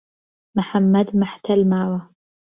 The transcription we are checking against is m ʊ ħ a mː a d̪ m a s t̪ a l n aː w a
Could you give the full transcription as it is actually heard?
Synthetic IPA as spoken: m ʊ ħ a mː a d̪ m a ħ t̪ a l m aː w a